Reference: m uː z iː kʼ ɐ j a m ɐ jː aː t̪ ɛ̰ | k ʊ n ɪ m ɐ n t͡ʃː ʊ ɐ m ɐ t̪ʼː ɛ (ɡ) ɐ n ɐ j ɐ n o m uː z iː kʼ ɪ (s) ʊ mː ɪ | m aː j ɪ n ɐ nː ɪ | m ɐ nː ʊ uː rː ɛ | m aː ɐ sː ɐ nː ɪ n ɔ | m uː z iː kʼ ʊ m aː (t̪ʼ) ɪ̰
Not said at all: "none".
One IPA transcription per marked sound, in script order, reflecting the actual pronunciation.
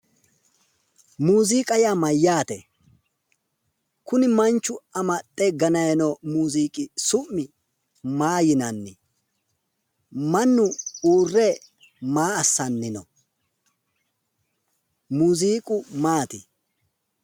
ɡ, s, t̪

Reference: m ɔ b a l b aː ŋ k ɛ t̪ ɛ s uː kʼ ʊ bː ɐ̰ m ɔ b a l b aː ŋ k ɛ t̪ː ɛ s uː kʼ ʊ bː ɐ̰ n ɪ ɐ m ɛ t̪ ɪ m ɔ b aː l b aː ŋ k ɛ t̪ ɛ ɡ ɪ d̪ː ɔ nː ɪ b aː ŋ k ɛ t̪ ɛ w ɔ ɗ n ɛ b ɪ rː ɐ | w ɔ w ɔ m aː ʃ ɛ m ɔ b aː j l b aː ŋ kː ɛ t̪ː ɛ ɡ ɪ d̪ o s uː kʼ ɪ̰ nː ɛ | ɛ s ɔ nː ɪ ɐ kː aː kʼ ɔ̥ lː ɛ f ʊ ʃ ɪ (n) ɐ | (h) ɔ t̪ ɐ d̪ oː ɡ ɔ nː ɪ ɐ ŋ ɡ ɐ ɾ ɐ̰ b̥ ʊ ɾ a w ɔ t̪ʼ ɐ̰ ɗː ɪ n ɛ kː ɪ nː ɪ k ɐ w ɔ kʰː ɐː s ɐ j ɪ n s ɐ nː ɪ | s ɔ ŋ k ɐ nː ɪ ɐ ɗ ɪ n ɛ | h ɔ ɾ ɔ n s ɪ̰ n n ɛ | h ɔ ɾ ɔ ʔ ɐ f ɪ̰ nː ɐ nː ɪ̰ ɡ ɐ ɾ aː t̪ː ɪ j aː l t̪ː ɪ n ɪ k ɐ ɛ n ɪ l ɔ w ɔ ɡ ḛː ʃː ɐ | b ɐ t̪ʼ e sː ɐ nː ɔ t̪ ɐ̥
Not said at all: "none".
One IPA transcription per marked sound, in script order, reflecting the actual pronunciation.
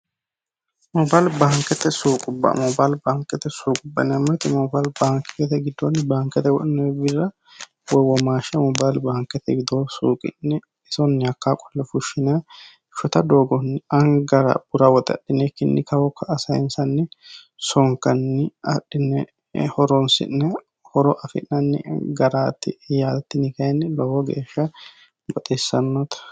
n, ʃ

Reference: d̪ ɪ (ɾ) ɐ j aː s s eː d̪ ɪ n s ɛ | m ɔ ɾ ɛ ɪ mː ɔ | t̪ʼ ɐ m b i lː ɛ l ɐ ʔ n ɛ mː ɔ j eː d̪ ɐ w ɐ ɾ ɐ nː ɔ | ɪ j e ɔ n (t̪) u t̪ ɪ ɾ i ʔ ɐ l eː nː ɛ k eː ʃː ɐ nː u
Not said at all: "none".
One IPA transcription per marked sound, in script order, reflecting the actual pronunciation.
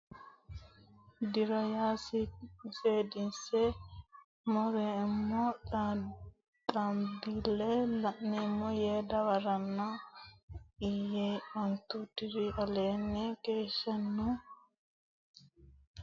ɾ, t̪

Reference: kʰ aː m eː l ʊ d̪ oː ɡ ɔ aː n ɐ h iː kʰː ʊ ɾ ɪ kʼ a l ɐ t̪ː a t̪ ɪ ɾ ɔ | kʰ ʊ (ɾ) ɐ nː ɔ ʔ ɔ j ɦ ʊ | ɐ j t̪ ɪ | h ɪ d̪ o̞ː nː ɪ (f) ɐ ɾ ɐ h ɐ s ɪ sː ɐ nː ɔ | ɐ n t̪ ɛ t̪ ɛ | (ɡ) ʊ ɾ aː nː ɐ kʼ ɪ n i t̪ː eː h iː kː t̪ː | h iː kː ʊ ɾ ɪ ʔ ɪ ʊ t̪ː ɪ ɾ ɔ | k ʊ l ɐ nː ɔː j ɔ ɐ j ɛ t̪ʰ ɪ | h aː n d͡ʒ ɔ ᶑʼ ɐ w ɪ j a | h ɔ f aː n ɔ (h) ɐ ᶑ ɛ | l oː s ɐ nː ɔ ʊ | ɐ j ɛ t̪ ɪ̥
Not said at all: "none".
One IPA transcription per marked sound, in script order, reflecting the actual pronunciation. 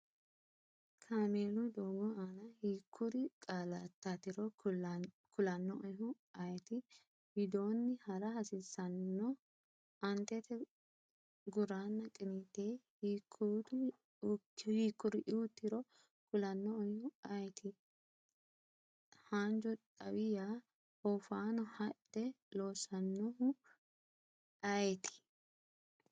l, h, ɡ, h

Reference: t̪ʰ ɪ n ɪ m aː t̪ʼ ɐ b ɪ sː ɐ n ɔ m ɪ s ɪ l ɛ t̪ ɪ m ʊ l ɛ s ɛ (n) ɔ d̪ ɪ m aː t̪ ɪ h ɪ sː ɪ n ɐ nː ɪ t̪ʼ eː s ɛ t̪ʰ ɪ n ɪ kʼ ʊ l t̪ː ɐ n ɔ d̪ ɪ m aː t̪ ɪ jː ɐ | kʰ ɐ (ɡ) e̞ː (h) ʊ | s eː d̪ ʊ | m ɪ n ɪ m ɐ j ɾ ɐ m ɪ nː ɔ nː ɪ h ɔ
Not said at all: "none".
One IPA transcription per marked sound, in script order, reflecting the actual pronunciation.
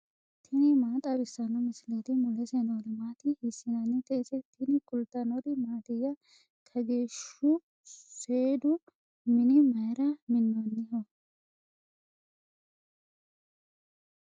n, ɡ, ʃ

